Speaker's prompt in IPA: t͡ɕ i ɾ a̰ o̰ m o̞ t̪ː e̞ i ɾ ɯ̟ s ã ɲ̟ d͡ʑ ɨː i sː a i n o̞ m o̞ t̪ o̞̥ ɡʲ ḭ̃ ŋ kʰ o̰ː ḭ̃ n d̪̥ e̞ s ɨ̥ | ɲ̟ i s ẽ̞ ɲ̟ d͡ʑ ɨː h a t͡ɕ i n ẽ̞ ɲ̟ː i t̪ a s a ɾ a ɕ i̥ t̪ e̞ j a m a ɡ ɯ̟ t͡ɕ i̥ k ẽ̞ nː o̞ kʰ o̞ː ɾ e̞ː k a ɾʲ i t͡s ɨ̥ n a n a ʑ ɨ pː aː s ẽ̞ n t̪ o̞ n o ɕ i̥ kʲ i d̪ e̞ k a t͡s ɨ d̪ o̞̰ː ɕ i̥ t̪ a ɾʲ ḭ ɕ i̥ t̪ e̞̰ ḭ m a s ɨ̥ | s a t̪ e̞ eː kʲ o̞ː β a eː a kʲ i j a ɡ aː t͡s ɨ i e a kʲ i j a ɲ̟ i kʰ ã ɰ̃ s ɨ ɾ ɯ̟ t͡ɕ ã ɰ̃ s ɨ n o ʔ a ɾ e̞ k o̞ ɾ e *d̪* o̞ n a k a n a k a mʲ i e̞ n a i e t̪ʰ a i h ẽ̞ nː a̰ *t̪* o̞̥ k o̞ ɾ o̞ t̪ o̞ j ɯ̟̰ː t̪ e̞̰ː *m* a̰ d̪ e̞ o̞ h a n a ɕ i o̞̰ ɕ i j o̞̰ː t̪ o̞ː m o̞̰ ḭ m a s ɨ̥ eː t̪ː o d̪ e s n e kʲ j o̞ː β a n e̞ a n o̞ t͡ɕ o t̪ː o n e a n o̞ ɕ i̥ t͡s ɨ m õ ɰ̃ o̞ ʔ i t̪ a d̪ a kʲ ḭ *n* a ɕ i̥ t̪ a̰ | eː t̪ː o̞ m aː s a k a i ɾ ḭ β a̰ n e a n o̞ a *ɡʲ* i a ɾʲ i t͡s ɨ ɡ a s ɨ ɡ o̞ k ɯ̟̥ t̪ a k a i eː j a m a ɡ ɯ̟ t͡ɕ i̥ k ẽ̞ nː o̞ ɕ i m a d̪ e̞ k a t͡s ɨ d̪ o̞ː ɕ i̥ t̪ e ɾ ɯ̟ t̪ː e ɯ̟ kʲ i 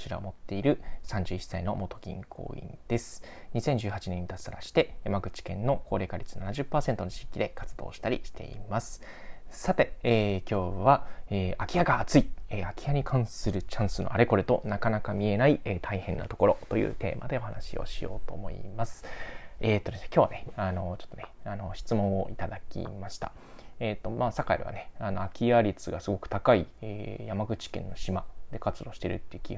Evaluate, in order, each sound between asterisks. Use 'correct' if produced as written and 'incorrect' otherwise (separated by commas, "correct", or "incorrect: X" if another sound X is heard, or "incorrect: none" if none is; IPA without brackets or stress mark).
incorrect: t̪, correct, correct, incorrect: m, incorrect: kʲ